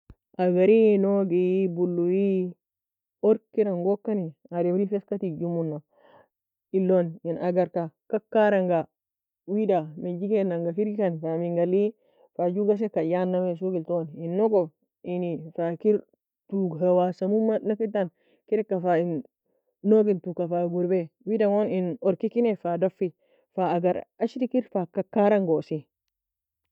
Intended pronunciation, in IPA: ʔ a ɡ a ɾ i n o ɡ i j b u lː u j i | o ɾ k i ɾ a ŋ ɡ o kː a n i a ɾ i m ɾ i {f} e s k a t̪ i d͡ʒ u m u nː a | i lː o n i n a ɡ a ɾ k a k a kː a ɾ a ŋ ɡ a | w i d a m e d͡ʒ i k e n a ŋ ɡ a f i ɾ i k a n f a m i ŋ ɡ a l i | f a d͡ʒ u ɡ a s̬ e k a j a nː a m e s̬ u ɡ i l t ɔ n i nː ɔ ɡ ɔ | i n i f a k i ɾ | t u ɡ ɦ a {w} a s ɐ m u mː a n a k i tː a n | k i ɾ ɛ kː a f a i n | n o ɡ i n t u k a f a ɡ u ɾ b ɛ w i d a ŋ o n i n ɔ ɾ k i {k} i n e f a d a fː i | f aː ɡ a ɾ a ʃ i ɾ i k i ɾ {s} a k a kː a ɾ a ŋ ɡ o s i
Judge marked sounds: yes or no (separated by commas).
yes, yes, yes, no